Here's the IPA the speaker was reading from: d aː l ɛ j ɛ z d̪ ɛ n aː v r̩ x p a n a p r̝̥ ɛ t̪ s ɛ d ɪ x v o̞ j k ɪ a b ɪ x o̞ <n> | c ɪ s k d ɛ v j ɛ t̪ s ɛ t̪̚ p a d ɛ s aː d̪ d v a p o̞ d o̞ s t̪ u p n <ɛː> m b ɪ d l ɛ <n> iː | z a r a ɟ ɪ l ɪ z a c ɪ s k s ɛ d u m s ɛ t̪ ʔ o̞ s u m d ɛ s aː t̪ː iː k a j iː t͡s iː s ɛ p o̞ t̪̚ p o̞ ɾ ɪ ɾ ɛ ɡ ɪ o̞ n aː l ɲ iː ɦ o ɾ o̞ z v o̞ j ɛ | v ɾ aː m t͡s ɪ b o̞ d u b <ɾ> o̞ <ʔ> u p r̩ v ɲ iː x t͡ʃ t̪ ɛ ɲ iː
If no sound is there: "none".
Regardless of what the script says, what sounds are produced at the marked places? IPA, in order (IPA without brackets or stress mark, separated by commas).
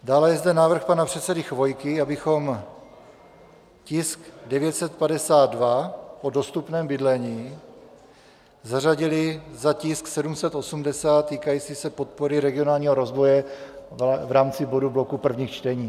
m, ɛː, ɲ, l, k